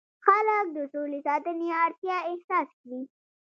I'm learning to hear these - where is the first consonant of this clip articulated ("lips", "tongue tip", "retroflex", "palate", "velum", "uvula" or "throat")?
velum